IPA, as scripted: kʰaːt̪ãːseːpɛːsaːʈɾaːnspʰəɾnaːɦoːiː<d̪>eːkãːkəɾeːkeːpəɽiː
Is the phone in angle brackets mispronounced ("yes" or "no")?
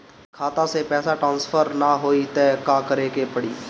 yes